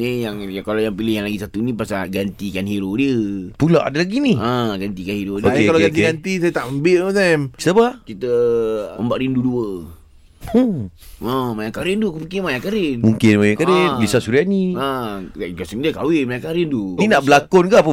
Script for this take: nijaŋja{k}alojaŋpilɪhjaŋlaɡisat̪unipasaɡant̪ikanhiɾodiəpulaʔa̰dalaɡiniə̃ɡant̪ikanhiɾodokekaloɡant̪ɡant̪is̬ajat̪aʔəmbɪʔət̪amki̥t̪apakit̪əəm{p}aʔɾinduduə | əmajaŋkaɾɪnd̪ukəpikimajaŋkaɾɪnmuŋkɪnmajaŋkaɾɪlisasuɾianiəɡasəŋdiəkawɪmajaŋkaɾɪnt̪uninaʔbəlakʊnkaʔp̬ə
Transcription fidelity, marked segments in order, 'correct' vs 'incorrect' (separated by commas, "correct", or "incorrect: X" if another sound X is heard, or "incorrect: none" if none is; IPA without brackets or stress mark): correct, incorrect: b